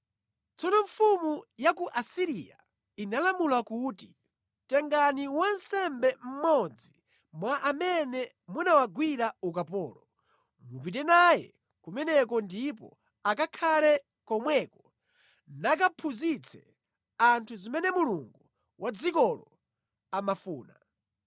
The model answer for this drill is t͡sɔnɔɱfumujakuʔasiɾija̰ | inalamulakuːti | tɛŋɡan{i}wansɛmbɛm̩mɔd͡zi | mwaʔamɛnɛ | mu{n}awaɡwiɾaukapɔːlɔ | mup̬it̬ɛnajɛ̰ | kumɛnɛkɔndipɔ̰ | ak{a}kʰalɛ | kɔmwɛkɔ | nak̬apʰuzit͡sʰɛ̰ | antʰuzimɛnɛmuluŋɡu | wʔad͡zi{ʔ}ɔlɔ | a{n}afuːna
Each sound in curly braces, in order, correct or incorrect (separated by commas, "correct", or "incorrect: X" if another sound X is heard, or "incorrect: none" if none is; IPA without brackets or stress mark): correct, correct, correct, incorrect: k, incorrect: m